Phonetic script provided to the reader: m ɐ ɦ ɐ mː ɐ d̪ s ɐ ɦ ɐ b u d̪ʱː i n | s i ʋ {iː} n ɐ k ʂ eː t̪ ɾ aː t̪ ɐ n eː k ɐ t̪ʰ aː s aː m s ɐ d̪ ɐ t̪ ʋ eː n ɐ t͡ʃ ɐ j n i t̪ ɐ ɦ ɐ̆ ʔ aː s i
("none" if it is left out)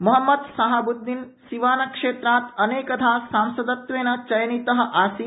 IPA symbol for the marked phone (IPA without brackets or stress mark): aː